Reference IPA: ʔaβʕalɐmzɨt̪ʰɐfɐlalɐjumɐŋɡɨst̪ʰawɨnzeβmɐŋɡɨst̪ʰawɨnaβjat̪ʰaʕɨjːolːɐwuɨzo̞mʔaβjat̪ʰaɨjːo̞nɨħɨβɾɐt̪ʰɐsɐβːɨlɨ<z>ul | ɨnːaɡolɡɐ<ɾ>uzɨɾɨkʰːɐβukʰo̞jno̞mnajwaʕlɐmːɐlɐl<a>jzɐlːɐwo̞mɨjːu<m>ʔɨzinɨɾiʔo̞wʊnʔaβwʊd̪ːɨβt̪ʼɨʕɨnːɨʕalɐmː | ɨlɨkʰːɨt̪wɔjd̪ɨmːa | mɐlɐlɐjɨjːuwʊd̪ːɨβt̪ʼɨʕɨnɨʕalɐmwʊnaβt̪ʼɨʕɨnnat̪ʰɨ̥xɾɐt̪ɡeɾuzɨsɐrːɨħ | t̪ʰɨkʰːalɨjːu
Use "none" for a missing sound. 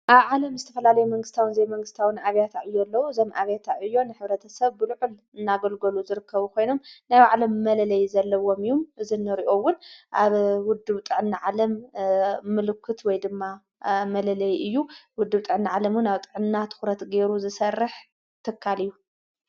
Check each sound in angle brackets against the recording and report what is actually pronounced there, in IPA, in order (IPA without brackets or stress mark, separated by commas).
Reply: ʕ, l, ɐ, m